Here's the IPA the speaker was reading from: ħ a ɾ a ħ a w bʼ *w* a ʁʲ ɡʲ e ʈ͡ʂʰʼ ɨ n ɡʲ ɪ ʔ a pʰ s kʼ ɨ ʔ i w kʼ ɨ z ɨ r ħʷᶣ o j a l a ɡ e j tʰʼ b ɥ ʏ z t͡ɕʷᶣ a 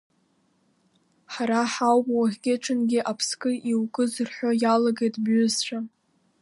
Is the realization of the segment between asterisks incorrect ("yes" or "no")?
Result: no